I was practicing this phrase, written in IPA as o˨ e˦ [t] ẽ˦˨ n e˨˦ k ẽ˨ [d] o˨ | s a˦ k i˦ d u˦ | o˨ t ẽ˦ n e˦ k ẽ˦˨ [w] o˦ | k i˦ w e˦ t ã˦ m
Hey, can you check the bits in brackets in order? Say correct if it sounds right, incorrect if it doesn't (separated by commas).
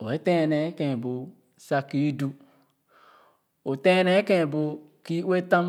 correct, incorrect, incorrect